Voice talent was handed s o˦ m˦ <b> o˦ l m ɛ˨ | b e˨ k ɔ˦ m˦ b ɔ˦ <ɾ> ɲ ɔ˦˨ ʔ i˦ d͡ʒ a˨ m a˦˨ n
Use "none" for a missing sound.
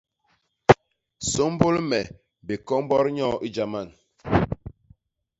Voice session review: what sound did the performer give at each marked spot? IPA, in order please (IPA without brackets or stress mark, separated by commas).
b, ɾ